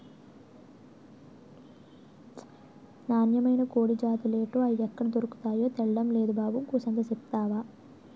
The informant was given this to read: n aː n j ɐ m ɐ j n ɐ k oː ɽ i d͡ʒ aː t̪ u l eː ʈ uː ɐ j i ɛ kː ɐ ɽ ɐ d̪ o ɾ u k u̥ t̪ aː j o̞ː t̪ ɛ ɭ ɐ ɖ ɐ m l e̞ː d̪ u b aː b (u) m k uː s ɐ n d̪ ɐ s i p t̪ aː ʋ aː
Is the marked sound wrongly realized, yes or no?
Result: no